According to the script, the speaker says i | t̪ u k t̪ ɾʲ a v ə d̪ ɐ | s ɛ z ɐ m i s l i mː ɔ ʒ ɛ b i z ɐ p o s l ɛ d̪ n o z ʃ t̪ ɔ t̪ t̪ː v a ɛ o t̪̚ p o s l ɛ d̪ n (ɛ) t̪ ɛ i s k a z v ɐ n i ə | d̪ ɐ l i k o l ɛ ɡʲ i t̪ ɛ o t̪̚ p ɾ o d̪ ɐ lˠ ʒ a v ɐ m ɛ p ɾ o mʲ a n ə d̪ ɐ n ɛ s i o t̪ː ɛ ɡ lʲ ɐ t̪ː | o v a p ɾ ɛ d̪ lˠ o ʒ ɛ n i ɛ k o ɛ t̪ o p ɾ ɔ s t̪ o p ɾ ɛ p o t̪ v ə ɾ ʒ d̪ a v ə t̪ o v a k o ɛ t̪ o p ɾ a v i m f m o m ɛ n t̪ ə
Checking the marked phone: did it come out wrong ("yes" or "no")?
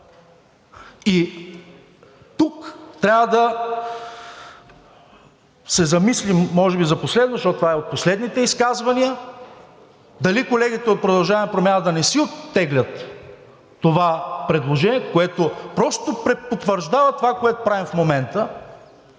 yes